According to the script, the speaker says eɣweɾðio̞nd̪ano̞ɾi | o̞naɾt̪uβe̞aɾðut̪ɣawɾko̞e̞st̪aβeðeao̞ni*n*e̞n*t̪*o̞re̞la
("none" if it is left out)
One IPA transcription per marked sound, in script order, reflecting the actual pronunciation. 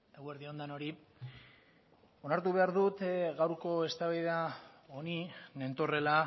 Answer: n, t̪

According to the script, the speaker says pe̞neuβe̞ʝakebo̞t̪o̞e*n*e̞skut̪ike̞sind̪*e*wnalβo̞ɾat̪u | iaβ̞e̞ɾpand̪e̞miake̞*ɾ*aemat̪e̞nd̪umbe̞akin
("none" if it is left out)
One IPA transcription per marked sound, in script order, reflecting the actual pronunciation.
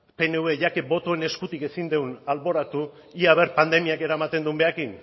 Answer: n, e, ɾ

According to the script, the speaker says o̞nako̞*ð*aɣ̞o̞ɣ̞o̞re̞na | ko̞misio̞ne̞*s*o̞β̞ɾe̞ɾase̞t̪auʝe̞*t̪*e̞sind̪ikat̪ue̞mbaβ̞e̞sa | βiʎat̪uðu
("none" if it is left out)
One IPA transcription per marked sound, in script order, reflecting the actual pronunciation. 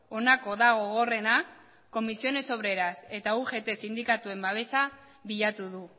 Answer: ð, s, t̪

